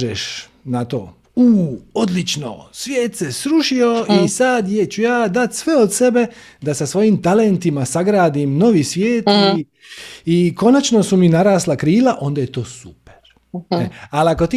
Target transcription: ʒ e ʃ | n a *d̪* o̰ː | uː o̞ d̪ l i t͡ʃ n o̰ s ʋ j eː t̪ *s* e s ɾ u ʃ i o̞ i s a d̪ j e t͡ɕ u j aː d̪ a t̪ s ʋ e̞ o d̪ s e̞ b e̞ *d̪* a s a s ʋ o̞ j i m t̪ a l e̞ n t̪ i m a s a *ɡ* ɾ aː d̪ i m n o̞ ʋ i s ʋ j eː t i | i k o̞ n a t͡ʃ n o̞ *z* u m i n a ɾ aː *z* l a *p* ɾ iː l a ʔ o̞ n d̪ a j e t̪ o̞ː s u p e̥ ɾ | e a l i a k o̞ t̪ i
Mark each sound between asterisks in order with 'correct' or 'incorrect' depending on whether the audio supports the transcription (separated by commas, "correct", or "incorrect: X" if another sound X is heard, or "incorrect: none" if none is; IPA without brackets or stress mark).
incorrect: t̪, correct, correct, correct, incorrect: s, incorrect: s, incorrect: k